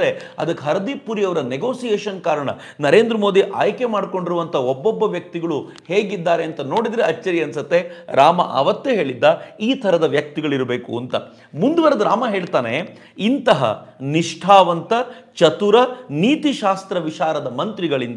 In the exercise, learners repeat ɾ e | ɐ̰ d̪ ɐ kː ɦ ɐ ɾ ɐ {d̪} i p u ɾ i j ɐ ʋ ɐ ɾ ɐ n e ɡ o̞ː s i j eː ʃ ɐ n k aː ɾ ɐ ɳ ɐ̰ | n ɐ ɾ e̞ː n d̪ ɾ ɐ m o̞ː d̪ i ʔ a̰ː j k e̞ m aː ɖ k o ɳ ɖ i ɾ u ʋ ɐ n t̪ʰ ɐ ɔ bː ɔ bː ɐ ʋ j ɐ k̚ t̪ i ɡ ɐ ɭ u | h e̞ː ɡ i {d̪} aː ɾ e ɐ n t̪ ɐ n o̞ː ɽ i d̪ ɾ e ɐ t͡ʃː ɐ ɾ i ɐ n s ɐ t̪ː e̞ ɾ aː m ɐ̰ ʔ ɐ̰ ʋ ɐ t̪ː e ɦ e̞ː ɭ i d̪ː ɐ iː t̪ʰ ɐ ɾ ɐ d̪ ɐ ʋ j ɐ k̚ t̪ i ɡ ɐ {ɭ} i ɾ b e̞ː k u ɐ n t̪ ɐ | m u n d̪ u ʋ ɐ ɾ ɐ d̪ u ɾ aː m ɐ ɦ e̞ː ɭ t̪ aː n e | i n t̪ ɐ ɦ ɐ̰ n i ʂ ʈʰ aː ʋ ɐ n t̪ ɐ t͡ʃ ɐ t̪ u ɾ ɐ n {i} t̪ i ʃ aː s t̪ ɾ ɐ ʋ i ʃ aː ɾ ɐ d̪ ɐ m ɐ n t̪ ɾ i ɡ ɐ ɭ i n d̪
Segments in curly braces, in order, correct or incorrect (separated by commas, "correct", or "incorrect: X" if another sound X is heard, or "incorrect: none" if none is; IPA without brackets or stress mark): correct, incorrect: d̪ː, correct, incorrect: iː